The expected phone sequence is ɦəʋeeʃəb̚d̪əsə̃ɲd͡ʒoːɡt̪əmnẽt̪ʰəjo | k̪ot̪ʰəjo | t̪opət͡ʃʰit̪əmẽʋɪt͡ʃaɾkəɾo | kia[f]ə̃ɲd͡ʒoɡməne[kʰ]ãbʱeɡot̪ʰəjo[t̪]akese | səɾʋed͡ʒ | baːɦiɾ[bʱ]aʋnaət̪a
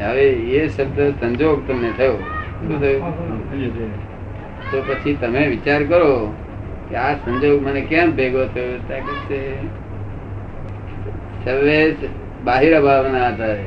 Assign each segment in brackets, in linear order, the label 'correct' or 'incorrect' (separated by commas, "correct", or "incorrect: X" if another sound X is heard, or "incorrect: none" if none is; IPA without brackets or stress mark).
incorrect: s, incorrect: k, correct, correct